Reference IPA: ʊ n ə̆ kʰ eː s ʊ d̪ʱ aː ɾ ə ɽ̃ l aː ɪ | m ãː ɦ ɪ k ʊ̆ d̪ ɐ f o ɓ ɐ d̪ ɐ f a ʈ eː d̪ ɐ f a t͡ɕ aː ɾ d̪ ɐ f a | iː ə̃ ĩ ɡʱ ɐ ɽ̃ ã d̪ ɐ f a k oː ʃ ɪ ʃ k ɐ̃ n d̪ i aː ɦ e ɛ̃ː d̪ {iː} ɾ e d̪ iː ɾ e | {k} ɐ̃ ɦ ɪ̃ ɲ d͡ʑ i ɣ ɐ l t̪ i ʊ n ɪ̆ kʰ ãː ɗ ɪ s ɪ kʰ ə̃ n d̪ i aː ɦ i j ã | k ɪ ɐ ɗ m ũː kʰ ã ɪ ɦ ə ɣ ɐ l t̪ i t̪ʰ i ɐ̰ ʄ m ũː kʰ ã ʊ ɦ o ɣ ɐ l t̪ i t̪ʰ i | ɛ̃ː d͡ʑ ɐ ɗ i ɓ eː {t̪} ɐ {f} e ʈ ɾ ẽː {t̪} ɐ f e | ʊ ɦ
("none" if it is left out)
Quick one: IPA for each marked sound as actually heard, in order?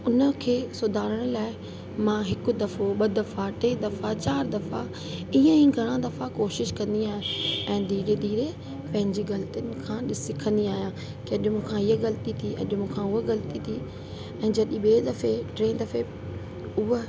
iː, p, d̪, f, d̪

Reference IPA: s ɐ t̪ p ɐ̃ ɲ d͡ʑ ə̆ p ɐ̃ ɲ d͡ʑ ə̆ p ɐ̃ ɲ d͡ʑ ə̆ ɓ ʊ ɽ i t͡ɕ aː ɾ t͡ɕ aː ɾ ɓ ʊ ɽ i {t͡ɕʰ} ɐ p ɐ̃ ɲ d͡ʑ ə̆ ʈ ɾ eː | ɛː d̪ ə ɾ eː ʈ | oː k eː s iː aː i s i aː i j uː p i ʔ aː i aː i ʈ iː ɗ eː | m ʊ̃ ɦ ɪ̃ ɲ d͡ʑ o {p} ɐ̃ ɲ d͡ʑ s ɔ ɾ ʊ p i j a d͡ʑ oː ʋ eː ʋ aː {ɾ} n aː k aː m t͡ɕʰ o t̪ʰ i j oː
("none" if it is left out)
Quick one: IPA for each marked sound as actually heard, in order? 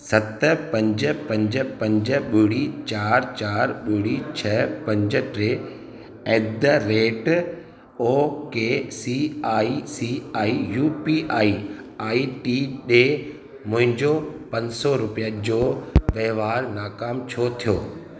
t͡ɕʰ, p, ɾ

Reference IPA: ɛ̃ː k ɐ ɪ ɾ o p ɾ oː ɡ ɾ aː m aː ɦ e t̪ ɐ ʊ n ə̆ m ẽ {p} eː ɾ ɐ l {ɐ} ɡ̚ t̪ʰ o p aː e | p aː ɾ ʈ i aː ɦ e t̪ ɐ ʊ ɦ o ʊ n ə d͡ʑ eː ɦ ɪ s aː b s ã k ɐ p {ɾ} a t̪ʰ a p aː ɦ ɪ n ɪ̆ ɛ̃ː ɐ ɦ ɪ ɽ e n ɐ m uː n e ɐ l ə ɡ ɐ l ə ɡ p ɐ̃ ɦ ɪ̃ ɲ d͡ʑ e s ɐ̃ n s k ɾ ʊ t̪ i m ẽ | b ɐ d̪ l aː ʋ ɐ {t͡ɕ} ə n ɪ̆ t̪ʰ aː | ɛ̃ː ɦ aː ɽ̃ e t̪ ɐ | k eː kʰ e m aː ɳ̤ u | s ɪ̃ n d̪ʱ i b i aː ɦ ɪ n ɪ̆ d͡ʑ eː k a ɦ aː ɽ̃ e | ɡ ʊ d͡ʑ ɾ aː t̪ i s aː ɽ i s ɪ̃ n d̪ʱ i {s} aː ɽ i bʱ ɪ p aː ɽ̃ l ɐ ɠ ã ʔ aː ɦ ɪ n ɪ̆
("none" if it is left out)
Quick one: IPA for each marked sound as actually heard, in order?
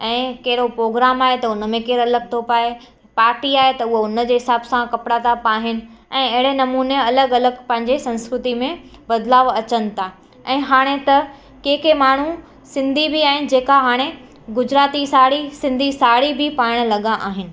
k, ə, ɽ, t͡ɕ, s

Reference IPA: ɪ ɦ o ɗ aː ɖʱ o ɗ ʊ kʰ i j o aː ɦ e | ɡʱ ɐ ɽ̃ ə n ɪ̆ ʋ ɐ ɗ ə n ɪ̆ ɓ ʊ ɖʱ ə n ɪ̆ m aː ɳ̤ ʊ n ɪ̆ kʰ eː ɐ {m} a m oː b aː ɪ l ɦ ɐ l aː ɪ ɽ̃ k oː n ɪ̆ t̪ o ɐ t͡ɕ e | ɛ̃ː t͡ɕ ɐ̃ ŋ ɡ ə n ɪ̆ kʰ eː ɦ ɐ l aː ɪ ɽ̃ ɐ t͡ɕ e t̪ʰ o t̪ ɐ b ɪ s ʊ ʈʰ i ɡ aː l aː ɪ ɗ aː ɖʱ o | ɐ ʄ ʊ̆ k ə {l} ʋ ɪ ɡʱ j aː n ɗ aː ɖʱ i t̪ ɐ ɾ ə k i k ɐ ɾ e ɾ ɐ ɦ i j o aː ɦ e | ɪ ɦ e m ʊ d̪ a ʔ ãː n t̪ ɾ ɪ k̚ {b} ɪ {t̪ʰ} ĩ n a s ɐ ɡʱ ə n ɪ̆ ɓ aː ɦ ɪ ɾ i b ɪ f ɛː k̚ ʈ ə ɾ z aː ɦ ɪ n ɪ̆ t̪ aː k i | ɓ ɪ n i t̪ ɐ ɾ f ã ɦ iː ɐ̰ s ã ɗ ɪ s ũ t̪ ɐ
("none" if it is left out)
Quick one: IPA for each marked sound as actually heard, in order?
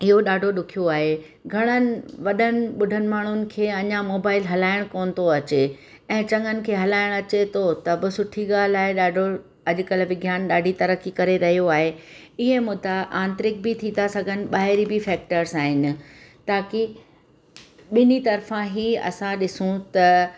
ɲ, l, b, t̪ʰ

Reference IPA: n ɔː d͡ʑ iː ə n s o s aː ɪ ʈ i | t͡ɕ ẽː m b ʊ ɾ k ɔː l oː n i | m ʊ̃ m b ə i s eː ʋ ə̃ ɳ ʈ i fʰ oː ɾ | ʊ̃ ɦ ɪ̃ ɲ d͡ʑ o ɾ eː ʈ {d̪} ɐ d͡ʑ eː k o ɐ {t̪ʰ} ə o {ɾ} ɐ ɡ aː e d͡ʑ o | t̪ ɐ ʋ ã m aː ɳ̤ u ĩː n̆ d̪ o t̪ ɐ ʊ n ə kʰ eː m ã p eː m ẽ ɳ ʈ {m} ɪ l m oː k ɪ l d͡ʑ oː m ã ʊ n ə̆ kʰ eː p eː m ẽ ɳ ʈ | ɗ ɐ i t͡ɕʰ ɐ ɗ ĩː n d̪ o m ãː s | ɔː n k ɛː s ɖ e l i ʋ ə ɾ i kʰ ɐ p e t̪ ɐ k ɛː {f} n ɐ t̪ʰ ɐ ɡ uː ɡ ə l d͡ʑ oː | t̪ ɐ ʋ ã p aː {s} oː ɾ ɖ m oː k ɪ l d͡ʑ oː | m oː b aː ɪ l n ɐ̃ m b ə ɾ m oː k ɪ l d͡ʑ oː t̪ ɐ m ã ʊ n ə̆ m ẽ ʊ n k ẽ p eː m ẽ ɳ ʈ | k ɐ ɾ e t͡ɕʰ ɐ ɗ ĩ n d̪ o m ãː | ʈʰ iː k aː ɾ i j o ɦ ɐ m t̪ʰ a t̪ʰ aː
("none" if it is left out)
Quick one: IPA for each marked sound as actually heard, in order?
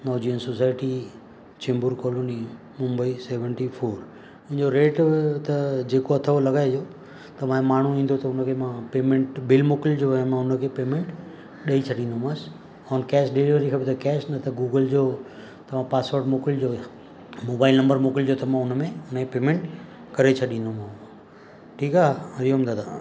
t̪, t̪ʰ, l, b, s, s

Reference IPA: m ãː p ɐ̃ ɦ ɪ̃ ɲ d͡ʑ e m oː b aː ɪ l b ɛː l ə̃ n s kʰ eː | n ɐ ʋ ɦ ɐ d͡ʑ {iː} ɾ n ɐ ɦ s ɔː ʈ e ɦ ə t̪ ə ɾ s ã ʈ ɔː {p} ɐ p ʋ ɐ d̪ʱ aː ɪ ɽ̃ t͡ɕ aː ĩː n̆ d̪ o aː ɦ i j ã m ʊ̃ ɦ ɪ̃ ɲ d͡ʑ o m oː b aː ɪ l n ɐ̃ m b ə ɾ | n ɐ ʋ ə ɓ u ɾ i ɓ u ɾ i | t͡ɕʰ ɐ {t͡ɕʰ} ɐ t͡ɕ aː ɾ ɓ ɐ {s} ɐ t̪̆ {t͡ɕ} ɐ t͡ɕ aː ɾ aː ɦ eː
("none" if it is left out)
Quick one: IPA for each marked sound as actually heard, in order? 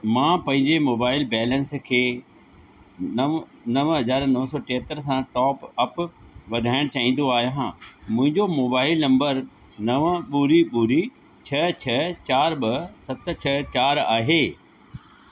aː, p, t͡ɕʰ, s, t͡ɕʰ

